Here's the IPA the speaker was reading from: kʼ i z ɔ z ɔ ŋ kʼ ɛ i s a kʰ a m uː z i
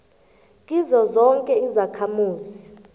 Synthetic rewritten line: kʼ i z ɔ z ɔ ŋ kʼ ɛ i z a kʰ a m uː z i